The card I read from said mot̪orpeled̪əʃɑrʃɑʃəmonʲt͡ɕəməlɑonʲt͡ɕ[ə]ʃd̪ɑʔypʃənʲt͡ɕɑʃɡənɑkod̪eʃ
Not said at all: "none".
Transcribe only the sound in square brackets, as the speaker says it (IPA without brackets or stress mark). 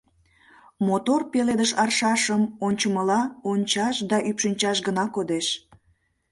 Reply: ɑ